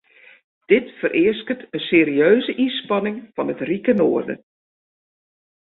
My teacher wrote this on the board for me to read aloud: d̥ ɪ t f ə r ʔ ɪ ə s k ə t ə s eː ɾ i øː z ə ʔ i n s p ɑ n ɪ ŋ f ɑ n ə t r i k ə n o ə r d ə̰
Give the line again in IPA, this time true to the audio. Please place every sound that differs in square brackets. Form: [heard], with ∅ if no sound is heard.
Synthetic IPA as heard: d̥ ɪ t f ə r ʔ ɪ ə s k ə t ə s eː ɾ i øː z ə ʔ i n s p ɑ n ɪ ŋ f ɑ n ə t r i k ə n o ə r d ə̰